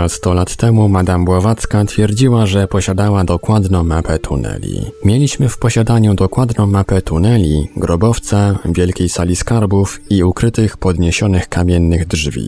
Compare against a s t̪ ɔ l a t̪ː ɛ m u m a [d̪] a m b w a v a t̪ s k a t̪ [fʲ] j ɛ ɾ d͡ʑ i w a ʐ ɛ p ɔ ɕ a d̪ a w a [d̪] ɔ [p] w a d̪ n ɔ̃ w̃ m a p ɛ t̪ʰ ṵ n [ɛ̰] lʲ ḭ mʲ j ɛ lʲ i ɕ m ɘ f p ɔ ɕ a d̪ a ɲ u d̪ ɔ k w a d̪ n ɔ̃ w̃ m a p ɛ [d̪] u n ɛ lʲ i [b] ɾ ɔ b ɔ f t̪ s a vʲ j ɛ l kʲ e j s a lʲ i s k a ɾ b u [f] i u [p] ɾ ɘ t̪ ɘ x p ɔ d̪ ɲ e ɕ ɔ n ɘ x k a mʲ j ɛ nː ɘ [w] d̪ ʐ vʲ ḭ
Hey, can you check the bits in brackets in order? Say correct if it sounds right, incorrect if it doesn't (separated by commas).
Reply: correct, correct, correct, incorrect, correct, incorrect, incorrect, correct, incorrect, incorrect